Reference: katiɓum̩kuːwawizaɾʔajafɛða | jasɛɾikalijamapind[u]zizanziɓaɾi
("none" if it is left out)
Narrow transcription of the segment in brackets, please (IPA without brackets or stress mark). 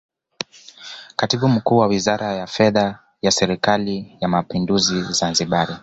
u